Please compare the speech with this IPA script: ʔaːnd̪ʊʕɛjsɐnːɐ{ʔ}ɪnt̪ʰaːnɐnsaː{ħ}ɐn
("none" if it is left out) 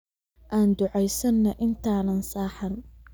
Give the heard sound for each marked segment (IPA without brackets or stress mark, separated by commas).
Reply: ʔ, ħ